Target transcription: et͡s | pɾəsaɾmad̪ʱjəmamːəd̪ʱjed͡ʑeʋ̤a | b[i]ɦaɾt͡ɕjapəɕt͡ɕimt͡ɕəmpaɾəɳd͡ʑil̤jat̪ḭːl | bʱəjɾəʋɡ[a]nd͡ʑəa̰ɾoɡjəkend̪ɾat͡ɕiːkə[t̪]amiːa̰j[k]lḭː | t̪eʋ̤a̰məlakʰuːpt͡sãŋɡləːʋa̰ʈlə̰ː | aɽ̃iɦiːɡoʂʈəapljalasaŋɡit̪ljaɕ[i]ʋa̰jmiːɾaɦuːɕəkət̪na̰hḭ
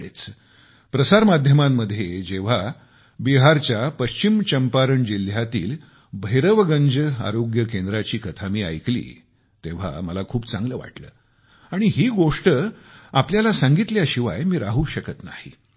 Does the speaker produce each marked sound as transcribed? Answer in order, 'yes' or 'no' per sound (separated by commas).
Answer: yes, no, no, yes, yes